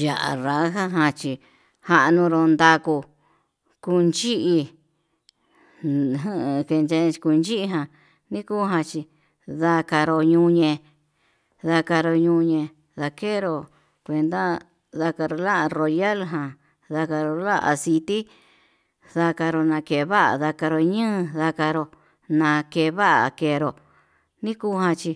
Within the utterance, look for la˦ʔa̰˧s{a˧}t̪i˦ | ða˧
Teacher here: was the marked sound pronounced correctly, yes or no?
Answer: no